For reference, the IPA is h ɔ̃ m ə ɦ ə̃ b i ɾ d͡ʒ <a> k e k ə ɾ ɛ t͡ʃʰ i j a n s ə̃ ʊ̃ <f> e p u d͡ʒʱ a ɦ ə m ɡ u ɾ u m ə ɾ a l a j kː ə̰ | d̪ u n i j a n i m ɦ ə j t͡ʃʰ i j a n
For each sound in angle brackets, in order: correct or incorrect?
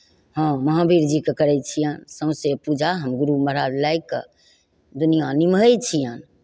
incorrect: i, incorrect: s

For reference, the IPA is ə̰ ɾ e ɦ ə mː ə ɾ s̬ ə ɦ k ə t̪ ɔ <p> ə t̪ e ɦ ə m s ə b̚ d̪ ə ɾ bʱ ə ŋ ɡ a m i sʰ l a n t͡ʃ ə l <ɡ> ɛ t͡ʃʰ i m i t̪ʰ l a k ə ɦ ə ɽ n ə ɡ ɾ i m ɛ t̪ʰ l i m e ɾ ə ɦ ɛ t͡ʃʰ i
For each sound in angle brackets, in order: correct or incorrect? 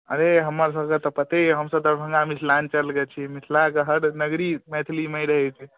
correct, correct

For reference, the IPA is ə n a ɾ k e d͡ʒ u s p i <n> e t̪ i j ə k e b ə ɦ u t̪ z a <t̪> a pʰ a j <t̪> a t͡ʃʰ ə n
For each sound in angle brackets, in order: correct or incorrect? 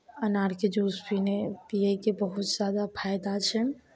correct, incorrect: d̪, incorrect: d̪

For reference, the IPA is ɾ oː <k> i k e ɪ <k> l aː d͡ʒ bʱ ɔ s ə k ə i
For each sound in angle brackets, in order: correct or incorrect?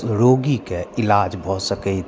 incorrect: ɡ, incorrect: none

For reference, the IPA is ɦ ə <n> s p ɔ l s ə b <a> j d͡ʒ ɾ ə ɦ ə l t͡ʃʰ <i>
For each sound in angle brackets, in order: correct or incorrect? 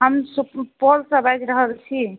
incorrect: m, correct, correct

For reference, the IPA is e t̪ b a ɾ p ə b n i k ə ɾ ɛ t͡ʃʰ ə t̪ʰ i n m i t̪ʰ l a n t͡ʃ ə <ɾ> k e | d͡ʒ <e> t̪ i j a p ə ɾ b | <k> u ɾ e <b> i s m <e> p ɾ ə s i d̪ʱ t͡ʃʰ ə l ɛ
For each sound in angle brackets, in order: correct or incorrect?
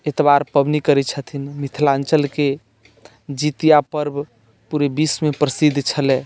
incorrect: l, incorrect: i, incorrect: p, correct, correct

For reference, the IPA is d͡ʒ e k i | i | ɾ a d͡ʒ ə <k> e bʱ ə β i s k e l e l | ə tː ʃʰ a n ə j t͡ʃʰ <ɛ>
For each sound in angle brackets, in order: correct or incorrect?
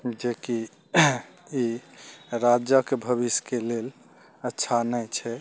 correct, correct

